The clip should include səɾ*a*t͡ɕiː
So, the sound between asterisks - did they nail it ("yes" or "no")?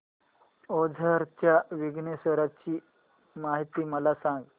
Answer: yes